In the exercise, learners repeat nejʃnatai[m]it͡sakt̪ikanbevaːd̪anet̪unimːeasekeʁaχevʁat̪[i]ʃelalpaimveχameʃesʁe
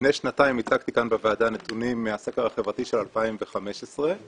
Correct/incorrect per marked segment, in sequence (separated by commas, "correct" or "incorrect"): correct, correct